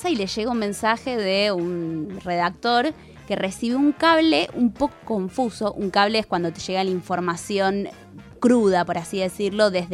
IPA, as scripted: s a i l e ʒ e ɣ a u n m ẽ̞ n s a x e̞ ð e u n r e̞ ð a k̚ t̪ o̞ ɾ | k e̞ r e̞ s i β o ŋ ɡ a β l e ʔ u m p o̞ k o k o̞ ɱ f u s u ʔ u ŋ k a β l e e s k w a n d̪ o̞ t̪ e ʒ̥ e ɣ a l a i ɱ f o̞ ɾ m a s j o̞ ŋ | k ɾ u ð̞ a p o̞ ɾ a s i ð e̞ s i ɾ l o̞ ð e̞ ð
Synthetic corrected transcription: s a i l e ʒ e ɣ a u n m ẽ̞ n s a x e̞ ð e u n r e̞ ð a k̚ t̪ o̞ ɾ | k e̞ r e̞ s i β u ŋ k a β l e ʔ u m p o̞ k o k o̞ ɱ f u s o ʔ u ŋ k a β l e e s k w a n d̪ o̞ t̪ e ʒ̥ e ɣ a l a i ɱ f o̞ ɾ m a s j o̞ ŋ | k ɾ u ð̞ a p o̞ ɾ a s i ð e̞ s i ɾ l o̞ ð e̞ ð